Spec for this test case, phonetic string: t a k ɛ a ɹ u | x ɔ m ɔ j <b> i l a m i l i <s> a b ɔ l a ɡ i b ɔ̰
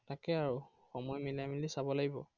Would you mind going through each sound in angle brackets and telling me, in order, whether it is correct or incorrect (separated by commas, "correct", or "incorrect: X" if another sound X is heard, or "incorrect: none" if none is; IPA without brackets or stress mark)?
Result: incorrect: m, correct